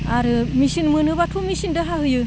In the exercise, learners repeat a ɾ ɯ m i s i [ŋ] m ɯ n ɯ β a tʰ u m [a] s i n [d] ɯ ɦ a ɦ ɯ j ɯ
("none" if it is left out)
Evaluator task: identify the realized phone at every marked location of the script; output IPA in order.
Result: n, i, d

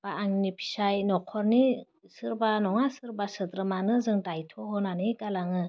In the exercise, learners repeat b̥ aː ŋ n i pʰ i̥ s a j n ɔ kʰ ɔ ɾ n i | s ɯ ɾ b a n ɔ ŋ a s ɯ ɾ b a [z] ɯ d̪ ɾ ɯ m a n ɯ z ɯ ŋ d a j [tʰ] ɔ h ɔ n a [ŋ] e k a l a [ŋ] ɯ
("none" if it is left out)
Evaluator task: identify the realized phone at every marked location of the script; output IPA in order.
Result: s, tʰ, n, ŋ

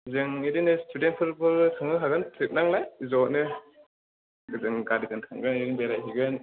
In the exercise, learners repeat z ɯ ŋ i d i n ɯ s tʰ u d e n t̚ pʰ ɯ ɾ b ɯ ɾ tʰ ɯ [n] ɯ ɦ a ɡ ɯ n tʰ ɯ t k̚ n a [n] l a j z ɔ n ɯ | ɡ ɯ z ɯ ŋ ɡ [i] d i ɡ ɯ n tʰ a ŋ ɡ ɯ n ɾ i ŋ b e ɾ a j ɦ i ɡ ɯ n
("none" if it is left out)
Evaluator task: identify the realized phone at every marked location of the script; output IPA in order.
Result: ŋ, ŋ, a

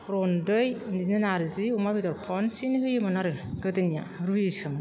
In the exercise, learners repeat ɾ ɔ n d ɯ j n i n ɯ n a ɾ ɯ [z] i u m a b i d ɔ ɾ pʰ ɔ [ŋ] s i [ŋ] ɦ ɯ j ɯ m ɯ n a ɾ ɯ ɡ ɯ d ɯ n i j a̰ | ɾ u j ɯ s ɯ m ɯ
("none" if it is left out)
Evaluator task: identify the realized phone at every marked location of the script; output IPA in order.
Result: z, n, n

